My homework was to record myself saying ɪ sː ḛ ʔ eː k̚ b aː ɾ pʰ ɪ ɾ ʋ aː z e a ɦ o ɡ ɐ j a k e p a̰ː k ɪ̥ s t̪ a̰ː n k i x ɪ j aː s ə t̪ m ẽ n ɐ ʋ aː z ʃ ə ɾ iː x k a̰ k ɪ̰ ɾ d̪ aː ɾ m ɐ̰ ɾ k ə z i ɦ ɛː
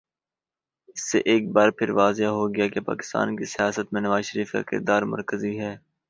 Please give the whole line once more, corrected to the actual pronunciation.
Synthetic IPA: ɪ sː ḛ ʔ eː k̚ b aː ɾ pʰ ɪ ɾ ʋ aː z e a ɦ o ɡ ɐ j a k e p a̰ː k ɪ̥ s t̪ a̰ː n k i s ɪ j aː s ə t̪ m ẽ n ɐ ʋ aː z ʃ ə ɾ iː f k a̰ k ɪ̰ ɾ d̪ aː ɾ m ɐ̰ ɾ k ə z i ɦ ɛː